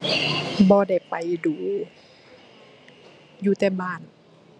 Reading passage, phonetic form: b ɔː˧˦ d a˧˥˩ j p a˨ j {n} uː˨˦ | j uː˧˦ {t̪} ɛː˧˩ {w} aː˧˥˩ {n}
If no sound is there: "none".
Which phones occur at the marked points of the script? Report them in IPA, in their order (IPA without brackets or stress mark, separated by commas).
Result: d, t̪, b, n